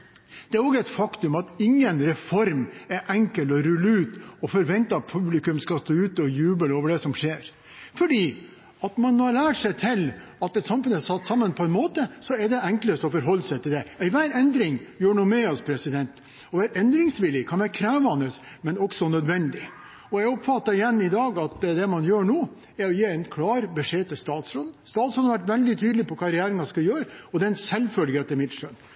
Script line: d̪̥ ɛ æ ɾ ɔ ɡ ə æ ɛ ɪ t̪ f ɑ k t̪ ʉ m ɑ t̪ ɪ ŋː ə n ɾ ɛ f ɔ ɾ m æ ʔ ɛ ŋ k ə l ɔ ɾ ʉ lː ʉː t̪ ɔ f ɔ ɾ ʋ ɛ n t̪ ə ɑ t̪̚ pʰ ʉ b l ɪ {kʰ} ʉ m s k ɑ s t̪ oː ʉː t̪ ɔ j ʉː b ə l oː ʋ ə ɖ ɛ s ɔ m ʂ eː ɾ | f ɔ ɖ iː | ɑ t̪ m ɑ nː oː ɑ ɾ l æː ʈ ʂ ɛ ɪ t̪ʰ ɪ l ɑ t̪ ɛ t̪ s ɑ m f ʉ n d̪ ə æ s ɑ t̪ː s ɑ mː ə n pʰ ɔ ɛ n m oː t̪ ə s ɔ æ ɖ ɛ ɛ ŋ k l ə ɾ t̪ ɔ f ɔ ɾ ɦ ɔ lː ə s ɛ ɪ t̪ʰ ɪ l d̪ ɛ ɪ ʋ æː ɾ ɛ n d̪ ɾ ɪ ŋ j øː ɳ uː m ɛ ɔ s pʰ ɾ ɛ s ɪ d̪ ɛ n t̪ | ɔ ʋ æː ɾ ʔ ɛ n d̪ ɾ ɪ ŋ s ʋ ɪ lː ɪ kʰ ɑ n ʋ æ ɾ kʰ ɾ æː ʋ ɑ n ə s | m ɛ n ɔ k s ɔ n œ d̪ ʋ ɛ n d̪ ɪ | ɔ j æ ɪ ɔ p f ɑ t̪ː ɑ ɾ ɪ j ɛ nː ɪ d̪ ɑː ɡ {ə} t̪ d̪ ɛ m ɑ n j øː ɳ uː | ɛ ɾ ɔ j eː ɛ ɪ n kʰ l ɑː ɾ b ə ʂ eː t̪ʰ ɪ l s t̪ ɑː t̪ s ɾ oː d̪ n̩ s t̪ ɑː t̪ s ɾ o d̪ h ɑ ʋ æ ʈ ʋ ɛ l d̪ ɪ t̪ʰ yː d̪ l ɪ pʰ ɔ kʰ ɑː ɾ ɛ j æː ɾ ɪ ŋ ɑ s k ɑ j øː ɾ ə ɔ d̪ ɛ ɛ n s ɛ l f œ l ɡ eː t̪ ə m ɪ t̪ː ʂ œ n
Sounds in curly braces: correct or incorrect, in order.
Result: incorrect, incorrect

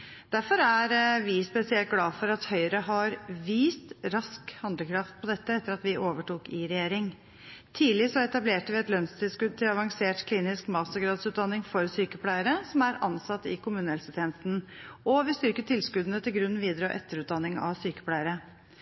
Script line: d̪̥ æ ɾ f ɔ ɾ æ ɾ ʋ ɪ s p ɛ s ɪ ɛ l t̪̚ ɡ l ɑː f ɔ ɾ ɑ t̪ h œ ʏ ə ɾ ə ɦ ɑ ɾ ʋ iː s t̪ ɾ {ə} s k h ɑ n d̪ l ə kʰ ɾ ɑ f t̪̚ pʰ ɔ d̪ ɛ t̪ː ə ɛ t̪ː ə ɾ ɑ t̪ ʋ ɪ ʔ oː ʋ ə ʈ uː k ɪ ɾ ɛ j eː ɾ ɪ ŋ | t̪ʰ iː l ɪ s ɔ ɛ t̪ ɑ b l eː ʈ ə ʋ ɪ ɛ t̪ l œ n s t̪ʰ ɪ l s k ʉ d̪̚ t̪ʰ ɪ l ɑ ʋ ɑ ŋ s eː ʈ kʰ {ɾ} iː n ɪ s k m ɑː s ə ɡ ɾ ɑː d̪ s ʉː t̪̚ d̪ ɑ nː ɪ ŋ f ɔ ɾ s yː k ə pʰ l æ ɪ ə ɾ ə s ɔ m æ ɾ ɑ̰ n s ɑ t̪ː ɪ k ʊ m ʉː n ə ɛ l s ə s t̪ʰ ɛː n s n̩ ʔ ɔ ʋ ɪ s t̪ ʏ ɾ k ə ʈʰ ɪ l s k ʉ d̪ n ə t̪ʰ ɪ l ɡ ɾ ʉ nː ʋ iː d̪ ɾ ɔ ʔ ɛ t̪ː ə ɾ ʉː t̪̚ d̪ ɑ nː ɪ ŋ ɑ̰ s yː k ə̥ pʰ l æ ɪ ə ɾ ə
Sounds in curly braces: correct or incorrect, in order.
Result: incorrect, incorrect

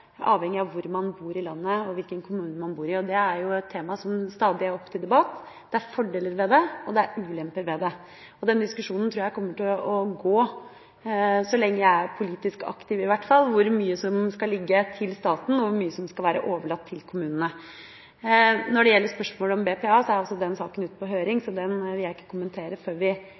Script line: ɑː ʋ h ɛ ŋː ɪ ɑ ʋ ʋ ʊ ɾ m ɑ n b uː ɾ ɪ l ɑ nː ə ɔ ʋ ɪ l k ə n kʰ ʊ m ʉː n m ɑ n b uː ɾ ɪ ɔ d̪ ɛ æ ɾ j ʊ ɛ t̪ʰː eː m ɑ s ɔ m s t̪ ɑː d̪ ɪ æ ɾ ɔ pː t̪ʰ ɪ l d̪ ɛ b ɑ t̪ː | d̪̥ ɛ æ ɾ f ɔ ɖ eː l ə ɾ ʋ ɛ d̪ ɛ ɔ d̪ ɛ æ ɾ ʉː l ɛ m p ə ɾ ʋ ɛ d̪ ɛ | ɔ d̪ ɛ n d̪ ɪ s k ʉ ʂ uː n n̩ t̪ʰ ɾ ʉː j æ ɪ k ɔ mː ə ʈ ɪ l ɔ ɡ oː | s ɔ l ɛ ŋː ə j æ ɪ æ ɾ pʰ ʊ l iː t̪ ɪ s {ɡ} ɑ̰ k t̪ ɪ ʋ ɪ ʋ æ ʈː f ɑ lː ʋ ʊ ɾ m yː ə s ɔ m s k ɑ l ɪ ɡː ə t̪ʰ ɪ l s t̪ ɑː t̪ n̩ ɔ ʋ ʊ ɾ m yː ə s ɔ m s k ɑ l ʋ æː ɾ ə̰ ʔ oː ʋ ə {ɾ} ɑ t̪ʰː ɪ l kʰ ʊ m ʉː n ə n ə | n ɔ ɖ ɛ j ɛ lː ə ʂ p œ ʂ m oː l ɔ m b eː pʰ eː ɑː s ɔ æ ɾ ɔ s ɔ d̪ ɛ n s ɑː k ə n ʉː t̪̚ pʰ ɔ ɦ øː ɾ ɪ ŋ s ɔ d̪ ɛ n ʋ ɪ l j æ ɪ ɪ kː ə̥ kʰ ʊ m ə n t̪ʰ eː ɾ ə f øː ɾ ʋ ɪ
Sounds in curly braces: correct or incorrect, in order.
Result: incorrect, incorrect

